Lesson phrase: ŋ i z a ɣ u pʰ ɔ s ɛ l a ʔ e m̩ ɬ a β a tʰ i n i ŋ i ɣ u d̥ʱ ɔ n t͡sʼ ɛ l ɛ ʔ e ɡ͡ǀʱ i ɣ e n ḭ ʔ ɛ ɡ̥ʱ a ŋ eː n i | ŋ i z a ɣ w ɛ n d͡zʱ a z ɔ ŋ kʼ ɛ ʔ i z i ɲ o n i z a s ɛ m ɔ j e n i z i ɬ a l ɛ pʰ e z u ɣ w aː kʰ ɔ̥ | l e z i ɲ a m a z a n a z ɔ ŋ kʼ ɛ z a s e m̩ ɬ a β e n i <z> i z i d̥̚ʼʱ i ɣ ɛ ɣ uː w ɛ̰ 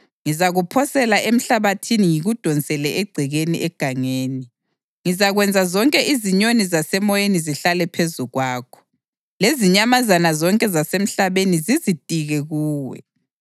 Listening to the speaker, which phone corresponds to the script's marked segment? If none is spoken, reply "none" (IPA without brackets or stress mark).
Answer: z